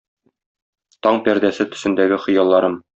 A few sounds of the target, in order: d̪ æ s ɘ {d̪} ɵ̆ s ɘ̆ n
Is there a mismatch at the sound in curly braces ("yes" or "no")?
yes